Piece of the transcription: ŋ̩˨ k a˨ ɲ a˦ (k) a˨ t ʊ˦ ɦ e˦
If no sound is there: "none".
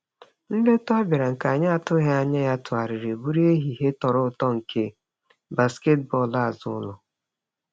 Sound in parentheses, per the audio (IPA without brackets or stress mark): none